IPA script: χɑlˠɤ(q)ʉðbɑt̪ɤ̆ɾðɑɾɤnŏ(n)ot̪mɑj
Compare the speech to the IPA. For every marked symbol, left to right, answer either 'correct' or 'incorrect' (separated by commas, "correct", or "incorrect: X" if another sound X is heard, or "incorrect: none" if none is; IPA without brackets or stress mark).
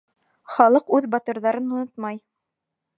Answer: correct, correct